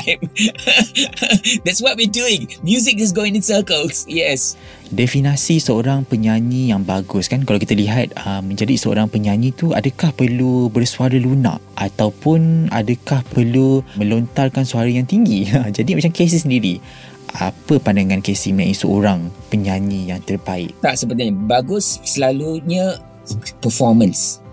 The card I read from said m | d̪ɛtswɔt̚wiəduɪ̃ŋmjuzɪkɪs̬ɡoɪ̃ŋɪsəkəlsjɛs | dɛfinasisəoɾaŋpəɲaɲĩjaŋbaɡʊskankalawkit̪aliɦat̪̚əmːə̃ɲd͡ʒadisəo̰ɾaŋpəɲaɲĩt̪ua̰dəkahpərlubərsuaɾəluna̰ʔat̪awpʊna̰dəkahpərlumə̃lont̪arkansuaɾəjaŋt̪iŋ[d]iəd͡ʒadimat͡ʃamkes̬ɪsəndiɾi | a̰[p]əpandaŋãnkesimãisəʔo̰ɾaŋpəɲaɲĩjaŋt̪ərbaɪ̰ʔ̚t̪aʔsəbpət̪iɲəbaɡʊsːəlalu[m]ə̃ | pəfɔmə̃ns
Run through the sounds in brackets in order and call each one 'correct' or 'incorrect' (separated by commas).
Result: incorrect, correct, incorrect